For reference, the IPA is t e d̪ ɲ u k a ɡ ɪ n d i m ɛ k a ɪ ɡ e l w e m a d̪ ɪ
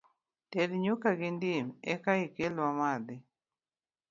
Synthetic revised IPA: t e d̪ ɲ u k a ɡ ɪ n d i m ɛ k a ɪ k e l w a m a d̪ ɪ